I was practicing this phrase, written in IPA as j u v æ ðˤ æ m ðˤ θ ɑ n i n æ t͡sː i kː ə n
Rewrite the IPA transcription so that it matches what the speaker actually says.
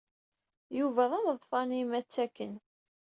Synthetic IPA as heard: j u v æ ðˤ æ m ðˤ f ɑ n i m æ t͡sː æ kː ə n